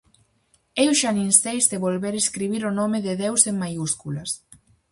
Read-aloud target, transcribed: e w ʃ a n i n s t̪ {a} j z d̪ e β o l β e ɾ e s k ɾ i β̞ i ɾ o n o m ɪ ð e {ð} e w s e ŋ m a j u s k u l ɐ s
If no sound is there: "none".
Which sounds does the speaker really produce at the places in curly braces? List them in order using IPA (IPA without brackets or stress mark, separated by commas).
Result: e, ð